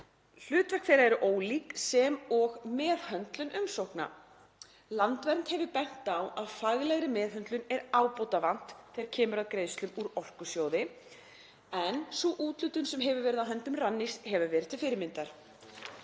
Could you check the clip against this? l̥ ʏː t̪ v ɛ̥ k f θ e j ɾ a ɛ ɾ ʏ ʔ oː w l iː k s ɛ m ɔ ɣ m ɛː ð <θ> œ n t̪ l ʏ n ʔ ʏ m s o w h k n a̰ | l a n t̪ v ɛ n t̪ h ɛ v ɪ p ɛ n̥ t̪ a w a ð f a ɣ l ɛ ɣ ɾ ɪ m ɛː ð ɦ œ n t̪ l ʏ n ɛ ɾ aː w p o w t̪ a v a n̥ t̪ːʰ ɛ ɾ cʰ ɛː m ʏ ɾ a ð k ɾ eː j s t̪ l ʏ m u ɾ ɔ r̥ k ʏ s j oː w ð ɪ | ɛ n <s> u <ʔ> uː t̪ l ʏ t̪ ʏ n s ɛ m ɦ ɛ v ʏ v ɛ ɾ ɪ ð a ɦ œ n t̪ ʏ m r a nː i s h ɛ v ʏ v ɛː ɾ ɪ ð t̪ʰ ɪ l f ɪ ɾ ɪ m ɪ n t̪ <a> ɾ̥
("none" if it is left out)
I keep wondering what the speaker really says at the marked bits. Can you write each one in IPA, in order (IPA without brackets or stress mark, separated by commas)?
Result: h, s, ʔ, a